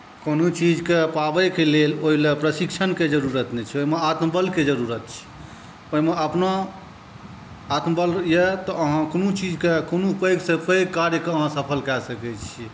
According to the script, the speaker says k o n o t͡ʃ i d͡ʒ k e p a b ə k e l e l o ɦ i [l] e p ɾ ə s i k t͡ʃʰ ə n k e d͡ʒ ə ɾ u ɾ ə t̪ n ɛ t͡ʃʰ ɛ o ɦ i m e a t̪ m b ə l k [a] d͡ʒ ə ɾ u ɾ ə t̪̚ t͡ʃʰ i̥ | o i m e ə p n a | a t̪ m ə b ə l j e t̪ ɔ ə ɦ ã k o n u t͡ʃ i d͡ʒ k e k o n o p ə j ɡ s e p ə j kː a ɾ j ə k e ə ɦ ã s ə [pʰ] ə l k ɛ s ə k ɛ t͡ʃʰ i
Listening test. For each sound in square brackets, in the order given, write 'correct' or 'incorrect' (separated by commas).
correct, incorrect, correct